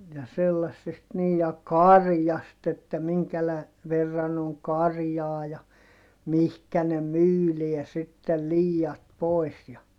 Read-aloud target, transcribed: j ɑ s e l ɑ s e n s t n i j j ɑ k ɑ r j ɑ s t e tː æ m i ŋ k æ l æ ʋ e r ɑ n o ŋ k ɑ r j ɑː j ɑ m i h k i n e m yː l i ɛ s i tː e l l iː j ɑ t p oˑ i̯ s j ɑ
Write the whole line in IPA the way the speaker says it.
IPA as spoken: j ɑ s e lː ɑ sː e s t n iː j j ɑ k ɑ r j ɑ s t e tː æ m i ŋ k æ l æ ʋ e rː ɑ n o ŋ k ɑ r j ɑː j ɑ m i h k æ n e m yː l i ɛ s i tː e l l iː j ɑ t p oˑ i̯ s j ɑ